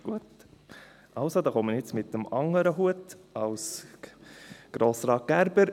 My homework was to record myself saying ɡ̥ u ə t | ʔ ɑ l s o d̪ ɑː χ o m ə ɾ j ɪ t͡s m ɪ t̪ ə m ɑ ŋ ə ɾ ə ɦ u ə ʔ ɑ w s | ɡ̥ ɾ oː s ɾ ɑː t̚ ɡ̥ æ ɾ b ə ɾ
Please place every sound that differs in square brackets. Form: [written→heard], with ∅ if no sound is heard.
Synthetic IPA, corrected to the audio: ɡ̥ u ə t | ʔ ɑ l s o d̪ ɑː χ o m ə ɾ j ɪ t͡s m ɪ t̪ ə m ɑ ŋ ə ɾ ə ɦ u ə [ʔ→t] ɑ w s | ɡ̥ ɾ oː s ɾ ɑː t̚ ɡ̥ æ ɾ b ə ɾ